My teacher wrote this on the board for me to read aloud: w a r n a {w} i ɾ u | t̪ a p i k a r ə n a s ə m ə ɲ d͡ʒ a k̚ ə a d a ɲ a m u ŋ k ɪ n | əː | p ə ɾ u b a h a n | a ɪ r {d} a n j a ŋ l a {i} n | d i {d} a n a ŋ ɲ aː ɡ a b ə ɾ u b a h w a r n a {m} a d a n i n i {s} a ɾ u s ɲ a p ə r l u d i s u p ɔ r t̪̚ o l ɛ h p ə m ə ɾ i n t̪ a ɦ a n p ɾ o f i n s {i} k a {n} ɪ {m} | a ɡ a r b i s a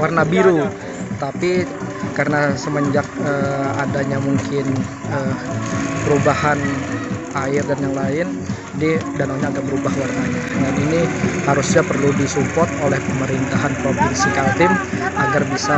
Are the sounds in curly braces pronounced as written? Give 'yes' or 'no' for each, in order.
no, yes, no, yes, no, no, yes, no, yes

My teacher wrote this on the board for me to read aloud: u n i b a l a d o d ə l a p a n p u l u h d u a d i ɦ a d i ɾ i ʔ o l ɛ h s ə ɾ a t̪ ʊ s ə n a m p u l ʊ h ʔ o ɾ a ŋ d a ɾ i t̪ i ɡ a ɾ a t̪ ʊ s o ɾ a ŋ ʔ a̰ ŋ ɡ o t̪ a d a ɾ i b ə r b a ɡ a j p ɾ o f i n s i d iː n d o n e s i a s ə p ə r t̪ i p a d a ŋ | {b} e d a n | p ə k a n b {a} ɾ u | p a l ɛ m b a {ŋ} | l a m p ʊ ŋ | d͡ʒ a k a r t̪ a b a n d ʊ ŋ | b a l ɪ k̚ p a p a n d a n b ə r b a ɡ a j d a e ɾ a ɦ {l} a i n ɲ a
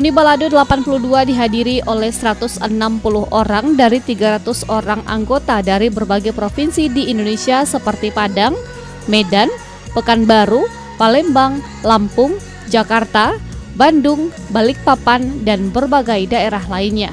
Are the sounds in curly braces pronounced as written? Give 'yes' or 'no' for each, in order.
no, yes, yes, yes

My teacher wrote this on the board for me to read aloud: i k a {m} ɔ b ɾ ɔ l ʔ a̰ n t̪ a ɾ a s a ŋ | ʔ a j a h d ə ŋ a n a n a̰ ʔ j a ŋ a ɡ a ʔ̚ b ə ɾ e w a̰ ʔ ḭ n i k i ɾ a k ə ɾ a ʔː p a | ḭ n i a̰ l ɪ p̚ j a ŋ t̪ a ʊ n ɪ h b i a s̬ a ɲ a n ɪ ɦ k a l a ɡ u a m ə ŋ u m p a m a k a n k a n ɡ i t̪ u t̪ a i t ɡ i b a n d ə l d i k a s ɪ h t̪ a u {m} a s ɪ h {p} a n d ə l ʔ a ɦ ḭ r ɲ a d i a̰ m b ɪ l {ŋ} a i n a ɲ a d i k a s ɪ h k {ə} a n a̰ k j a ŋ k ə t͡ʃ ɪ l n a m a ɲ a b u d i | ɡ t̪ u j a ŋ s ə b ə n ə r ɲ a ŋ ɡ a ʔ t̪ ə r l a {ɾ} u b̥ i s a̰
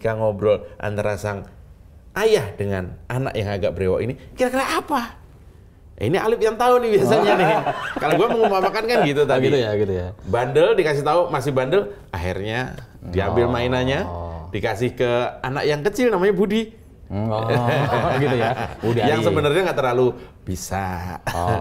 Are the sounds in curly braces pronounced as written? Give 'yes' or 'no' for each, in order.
no, yes, no, no, yes, no

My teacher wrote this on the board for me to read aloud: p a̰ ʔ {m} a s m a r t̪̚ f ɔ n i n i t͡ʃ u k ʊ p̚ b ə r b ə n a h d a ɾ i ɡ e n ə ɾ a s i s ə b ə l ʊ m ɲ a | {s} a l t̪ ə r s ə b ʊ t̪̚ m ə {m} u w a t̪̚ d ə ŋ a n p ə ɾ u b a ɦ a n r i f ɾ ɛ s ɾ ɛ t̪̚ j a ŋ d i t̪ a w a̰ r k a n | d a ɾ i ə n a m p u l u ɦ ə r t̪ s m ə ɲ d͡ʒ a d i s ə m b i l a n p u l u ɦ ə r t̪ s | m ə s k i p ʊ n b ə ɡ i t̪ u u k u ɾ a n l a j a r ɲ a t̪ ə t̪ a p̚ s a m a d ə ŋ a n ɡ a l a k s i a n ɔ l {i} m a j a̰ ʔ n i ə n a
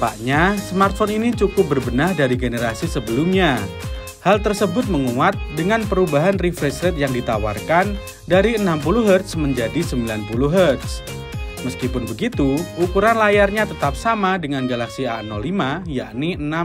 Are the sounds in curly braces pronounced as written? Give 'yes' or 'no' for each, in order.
no, no, no, yes

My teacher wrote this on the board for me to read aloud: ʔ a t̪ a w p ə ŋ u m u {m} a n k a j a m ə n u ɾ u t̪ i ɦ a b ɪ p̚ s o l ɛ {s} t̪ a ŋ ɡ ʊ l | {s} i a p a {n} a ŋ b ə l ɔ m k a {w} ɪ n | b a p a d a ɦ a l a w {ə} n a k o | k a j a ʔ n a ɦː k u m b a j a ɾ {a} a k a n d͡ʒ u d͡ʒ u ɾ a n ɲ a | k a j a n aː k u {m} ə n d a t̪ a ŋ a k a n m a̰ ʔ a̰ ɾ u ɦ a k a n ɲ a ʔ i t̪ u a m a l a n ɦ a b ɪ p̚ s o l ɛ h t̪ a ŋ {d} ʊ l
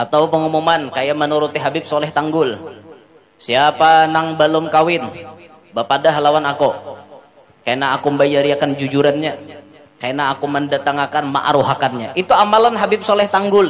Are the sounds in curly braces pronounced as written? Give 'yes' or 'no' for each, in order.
yes, no, yes, yes, yes, no, no, yes, no

